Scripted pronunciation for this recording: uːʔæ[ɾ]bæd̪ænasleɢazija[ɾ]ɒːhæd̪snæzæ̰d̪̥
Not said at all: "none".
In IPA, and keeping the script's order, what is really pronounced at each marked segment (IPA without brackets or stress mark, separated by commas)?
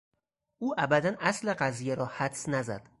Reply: none, ɾ